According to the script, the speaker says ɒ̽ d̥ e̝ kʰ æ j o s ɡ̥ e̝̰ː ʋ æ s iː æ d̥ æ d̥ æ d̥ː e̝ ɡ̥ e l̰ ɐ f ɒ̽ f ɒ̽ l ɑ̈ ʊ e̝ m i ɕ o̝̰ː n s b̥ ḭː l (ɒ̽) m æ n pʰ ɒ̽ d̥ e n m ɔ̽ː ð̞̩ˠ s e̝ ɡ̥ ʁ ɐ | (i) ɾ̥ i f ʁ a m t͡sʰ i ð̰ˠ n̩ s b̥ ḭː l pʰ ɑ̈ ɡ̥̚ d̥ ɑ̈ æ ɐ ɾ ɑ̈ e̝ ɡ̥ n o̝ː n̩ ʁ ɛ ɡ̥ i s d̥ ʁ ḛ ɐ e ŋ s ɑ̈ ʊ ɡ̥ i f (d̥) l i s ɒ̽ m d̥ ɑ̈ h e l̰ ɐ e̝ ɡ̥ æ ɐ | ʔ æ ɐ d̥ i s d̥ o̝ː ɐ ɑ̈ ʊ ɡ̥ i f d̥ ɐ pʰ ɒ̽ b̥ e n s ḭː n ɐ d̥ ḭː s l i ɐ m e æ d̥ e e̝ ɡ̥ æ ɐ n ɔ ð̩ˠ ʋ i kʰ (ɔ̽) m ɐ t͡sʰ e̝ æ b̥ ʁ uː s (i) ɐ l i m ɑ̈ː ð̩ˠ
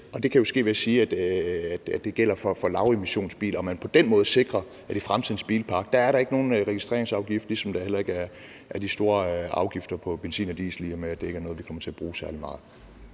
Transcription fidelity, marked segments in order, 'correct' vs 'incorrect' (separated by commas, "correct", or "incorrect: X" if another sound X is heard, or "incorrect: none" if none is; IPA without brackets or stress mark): correct, incorrect: æ, correct, incorrect: ɒ̽, incorrect: æ